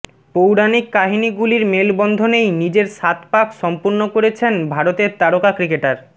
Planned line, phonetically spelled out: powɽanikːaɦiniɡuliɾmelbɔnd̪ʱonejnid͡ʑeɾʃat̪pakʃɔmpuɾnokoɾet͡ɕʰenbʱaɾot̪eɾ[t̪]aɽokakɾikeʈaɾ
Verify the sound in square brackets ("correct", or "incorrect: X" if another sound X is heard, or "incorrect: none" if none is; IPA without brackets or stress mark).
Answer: correct